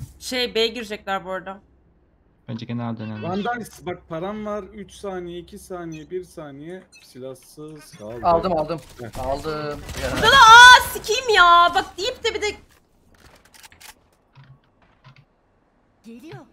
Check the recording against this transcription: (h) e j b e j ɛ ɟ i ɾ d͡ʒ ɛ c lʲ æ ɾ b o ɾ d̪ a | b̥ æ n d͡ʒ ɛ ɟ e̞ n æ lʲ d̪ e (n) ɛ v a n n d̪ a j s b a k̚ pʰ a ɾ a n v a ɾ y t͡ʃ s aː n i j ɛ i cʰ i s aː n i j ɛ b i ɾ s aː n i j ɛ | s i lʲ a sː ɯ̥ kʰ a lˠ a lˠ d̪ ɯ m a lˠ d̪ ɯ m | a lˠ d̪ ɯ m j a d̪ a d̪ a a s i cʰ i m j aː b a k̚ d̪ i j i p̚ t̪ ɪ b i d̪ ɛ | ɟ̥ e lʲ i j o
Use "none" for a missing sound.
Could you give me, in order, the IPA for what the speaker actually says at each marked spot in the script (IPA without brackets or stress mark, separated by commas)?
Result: ʃ, n